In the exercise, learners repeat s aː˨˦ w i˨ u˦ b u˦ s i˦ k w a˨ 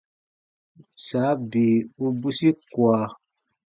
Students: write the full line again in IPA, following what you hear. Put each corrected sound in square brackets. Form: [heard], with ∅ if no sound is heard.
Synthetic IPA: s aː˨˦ [b] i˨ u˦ b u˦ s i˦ k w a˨